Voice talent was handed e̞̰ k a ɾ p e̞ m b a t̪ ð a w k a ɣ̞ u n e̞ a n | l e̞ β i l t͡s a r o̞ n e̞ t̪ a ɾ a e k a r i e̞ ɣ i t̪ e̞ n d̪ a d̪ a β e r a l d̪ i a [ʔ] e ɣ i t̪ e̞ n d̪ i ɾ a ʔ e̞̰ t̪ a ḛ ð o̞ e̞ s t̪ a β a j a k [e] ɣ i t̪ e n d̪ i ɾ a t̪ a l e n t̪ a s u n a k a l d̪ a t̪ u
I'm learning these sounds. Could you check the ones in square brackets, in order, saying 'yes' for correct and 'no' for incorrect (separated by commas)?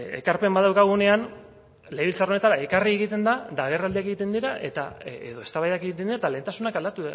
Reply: no, yes